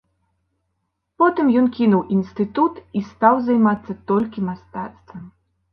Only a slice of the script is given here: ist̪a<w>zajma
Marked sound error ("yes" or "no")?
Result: no